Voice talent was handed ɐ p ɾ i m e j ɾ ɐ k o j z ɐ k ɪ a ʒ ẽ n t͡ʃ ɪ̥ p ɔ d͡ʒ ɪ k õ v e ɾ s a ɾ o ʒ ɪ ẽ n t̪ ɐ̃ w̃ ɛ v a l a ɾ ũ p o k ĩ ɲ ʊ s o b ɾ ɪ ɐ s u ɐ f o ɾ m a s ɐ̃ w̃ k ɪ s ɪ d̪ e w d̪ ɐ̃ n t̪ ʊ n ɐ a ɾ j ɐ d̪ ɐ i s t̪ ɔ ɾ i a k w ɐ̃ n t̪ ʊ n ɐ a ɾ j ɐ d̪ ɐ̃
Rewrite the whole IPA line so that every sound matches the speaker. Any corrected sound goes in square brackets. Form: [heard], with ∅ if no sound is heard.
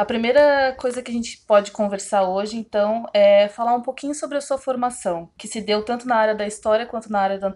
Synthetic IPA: ɐ p ɾ i m e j ɾ ɐ k o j z ɐ k ɪ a ʒ ẽ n t͡ʃ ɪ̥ p ɔ d͡ʒ ɪ k õ v e ɾ s a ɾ o ʒ ɪ ẽ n t̪ ɐ̃ w̃ ɛ [f] a l a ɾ ũ p o k ĩ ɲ ʊ s o b ɾ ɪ ɐ s u ɐ f o ɾ m a s ɐ̃ w̃ k ɪ s ɪ d̪ e w [t̪] ɐ̃ n t̪ ʊ n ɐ a ɾ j ɐ d̪ ɐ i s t̪ ɔ ɾ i [ɐ] k w ɐ̃ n t̪ ʊ n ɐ a ɾ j ɐ d̪ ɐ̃